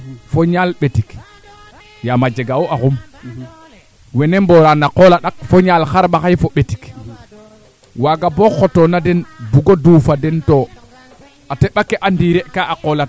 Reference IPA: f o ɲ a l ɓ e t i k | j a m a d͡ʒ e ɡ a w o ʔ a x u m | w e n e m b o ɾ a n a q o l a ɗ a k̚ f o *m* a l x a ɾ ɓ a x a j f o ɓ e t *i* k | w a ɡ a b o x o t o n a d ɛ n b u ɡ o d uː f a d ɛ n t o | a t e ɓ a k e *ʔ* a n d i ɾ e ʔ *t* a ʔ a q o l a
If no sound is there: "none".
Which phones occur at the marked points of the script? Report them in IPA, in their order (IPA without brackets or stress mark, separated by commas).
ɲ, i, ʔ, k